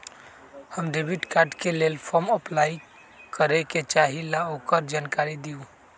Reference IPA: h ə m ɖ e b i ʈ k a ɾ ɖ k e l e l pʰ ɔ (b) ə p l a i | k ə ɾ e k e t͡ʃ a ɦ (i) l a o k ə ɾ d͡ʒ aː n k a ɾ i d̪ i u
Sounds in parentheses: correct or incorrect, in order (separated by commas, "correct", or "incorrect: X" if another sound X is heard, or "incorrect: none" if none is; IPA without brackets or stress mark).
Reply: incorrect: m, correct